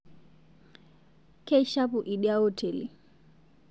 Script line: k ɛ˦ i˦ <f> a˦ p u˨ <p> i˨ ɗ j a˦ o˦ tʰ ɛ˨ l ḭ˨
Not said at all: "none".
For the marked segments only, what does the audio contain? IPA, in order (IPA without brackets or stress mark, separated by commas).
ʃ, ʔ